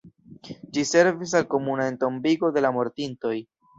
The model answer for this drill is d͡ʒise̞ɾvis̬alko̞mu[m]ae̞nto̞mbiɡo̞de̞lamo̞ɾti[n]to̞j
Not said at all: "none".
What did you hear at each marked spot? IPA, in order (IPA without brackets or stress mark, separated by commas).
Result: n, n